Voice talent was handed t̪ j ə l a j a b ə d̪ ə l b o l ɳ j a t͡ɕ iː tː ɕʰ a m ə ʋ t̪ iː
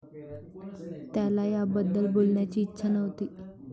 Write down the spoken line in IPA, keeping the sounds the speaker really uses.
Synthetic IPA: t̪ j a l a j a b ə d̪ː ə l b o l ɳ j a t͡ɕ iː tː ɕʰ a n ə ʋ t̪ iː